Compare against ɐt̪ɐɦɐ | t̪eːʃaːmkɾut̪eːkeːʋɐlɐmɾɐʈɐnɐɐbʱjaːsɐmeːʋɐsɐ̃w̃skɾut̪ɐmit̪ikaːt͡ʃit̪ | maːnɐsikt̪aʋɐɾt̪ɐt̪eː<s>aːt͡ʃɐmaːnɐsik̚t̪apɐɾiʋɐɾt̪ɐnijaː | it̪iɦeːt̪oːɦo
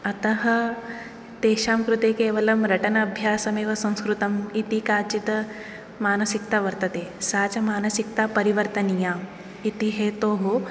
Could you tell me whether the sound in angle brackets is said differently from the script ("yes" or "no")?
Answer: no